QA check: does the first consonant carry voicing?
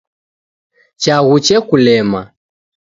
no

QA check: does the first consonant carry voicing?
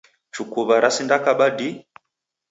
no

